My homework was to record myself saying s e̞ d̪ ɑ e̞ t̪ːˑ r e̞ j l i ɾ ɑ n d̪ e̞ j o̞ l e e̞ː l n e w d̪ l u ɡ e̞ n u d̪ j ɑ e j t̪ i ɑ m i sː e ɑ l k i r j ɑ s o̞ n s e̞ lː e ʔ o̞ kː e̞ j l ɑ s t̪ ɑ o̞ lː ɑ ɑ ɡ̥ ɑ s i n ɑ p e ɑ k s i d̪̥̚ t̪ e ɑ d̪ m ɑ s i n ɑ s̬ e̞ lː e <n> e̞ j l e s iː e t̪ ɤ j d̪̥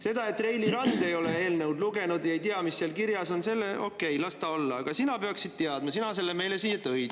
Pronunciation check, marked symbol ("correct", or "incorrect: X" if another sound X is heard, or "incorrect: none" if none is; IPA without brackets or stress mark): incorrect: m